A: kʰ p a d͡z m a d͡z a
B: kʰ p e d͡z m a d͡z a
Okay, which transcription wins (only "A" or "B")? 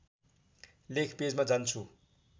B